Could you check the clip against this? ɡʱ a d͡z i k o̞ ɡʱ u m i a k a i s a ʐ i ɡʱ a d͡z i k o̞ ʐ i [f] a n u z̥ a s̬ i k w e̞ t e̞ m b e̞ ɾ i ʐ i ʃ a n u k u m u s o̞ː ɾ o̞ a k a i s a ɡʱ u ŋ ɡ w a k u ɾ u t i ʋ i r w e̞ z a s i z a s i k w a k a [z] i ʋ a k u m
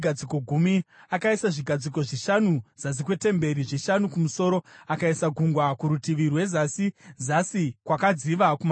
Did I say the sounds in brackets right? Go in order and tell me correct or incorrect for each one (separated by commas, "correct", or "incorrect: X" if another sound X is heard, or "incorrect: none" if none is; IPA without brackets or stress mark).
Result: incorrect: ʃ, incorrect: d͡z